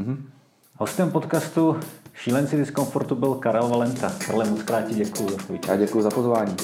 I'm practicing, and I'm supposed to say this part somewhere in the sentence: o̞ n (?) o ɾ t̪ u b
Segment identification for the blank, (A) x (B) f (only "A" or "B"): B